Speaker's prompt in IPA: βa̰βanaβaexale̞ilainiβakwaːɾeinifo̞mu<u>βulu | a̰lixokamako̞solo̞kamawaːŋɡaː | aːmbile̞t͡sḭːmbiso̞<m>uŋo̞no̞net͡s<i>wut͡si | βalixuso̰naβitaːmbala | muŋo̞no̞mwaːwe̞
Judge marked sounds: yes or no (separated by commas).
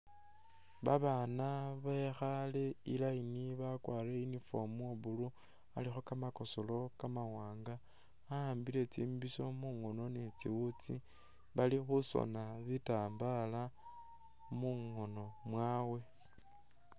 no, yes, yes